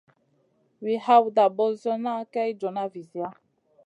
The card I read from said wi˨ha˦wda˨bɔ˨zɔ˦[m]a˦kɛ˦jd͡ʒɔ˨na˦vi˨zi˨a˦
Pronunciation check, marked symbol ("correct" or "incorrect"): incorrect